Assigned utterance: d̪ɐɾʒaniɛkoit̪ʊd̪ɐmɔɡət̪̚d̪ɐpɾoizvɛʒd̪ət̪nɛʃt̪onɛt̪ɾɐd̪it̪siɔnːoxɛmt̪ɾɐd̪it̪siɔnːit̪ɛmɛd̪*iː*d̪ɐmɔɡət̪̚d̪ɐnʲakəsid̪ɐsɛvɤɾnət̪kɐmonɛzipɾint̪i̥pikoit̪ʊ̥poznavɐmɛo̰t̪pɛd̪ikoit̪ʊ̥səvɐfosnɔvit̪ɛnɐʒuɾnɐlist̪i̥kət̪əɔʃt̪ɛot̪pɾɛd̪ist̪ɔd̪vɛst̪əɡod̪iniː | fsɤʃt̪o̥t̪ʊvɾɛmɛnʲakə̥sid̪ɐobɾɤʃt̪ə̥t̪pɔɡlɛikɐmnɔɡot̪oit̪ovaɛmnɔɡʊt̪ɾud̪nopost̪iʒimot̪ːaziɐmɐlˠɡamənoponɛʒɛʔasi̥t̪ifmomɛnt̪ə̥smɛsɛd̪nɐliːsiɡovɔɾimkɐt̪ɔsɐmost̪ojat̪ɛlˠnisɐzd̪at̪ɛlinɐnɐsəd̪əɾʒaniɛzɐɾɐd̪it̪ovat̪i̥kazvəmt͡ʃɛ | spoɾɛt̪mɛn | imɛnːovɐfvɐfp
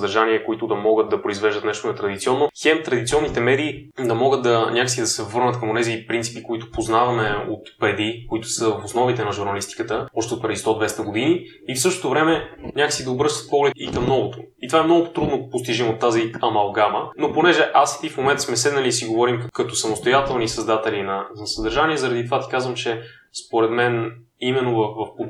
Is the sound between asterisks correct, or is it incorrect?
correct